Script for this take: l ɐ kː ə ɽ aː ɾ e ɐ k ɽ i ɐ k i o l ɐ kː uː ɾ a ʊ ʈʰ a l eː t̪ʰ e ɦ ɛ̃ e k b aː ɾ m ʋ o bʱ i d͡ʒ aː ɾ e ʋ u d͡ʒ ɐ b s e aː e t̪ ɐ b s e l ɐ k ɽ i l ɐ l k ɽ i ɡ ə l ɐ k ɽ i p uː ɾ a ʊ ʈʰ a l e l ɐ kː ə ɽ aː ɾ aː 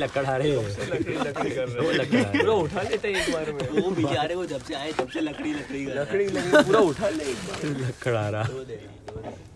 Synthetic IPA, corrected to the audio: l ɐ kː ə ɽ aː ɾ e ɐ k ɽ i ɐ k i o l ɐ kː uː ɾ a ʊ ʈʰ a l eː t̪ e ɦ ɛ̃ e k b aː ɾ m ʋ o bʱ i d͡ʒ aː ɾ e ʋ o d͡ʒ ɐ b s e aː e t̪ ɐ b s e l ɐ k ɽ i l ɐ k ɽ i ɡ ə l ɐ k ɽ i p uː ɾ a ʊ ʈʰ a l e l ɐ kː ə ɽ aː ɾ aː